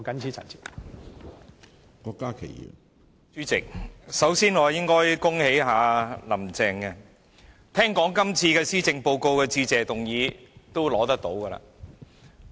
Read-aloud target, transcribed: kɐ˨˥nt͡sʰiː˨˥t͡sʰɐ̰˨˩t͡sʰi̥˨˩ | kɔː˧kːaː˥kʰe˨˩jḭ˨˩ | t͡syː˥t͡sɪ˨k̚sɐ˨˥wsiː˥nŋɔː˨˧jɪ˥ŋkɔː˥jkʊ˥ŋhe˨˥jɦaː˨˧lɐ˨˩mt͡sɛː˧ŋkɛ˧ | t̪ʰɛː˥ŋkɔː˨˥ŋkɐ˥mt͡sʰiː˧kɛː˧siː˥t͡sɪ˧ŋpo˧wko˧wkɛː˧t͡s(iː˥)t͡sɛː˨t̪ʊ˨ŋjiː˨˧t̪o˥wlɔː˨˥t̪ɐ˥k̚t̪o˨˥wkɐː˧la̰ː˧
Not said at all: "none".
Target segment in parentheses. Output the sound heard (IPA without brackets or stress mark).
iː˧